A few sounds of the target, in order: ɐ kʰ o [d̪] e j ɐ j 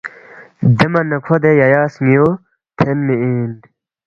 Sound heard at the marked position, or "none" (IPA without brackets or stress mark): d̪